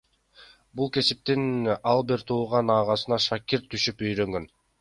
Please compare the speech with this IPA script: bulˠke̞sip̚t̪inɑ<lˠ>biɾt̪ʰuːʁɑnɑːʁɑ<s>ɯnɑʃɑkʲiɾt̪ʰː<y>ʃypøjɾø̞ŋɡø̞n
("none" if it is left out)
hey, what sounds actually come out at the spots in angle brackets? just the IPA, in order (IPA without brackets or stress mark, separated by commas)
lˠ, s, y